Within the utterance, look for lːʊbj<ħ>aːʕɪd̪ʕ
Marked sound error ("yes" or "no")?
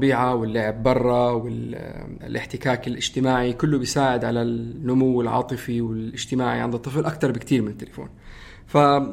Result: yes